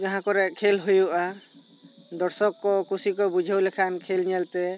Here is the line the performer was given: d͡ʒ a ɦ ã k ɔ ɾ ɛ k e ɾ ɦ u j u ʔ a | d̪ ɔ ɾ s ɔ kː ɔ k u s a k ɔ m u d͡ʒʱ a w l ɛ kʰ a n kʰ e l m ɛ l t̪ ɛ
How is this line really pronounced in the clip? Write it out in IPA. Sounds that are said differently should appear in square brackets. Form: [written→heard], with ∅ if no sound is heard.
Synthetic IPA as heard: d͡ʒ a ɦ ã k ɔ ɾ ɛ [k→kʰ] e [ɾ→l] ɦ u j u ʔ a | d̪ ɔ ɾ s ɔ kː ɔ k u s [a→i] k ɔ [m→b] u d͡ʒʱ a w l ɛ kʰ a n kʰ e l [m→ɲ] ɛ l t̪ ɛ